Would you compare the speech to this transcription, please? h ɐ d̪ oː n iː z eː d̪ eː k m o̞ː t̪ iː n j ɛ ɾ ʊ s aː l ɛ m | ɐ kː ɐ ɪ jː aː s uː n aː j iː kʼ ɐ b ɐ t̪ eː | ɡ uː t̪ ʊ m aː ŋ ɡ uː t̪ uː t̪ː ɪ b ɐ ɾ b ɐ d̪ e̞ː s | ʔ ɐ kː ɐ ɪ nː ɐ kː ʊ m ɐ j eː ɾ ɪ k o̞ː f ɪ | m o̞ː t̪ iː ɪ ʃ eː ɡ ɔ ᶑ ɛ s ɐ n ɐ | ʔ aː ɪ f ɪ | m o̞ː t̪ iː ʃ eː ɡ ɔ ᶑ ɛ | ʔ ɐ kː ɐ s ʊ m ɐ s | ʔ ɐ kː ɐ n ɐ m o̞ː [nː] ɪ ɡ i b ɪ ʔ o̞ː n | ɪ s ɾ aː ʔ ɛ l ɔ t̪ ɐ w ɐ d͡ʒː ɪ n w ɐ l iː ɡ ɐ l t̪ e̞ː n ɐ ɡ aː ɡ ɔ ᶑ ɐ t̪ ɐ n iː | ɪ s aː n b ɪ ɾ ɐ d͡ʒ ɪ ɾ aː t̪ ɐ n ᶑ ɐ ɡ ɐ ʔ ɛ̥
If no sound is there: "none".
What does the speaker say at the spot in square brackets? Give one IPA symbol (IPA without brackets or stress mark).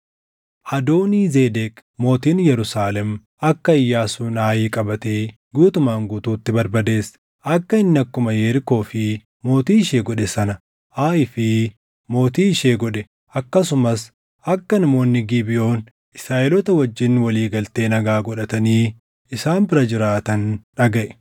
nː